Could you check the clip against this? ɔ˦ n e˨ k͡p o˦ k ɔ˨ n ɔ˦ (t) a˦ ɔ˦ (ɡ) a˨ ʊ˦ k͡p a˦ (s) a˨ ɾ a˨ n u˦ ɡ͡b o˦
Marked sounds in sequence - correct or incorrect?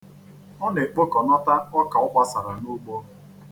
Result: correct, incorrect: k, correct

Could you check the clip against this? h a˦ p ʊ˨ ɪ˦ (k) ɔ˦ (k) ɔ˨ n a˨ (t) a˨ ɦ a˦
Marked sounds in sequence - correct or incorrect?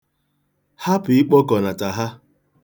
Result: incorrect: k͡p, correct, correct

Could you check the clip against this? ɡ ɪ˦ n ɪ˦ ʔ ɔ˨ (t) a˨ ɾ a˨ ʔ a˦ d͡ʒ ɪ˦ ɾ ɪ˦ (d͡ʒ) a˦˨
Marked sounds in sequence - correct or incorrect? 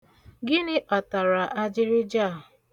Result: correct, correct

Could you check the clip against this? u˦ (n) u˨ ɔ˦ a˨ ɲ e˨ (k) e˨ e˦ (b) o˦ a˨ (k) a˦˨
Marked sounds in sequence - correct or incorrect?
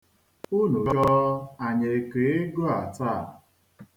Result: correct, correct, incorrect: ɡ, incorrect: t

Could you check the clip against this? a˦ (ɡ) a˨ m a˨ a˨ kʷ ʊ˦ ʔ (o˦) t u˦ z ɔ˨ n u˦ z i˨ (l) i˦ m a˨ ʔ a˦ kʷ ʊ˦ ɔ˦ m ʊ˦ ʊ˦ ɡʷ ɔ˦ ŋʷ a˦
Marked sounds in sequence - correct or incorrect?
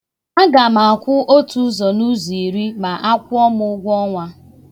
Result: correct, correct, incorrect: ɾ

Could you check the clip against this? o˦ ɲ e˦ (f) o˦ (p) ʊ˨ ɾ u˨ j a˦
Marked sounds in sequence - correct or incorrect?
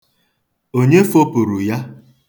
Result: correct, correct

